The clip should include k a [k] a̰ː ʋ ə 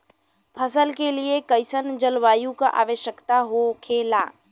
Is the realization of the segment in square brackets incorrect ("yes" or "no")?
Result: yes